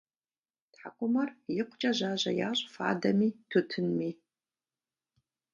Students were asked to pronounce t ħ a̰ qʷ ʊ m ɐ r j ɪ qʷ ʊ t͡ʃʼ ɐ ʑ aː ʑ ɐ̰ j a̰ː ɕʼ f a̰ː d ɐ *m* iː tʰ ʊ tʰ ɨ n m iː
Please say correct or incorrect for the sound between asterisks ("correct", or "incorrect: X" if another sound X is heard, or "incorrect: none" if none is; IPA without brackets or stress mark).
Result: correct